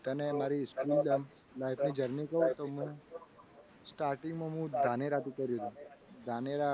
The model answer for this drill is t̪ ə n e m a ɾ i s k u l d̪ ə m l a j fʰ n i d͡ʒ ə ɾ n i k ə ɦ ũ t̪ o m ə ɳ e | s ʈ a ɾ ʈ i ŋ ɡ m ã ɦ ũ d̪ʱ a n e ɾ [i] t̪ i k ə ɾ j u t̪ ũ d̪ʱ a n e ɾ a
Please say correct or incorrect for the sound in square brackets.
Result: incorrect